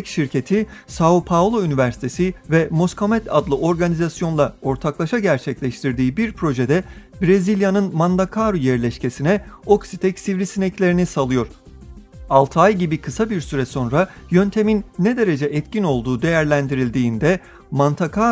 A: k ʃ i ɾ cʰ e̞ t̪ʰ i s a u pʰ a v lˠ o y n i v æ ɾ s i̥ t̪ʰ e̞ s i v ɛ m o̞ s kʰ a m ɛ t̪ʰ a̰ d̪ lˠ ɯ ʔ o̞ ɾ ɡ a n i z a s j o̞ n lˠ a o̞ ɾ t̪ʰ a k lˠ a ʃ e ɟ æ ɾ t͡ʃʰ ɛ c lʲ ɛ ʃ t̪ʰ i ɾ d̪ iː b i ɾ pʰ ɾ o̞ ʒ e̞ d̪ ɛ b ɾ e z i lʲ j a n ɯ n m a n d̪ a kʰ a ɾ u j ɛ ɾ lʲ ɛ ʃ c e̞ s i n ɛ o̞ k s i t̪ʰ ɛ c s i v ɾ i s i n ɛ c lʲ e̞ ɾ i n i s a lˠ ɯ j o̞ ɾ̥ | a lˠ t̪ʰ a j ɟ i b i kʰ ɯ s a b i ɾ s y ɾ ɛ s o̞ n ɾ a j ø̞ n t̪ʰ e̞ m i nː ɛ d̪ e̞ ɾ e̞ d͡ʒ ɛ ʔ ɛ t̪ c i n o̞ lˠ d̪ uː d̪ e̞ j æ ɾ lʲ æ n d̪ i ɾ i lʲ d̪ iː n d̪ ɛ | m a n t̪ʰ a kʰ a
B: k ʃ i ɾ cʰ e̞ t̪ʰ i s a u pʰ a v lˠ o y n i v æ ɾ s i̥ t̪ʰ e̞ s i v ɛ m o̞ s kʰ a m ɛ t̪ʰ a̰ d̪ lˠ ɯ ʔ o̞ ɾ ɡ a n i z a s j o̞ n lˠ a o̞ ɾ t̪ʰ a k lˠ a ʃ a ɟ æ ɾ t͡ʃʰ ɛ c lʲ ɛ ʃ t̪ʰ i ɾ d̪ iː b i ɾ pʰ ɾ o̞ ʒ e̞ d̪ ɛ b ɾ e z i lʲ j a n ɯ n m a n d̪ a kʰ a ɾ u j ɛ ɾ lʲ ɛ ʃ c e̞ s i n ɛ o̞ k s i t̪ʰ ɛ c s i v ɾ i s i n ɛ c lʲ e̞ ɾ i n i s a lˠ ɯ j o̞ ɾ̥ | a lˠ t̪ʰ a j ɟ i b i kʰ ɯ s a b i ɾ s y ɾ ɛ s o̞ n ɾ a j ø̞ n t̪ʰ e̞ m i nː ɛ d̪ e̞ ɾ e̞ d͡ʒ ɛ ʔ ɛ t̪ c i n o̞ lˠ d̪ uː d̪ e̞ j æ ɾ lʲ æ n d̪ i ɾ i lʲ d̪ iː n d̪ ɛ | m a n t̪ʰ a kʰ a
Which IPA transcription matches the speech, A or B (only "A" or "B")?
B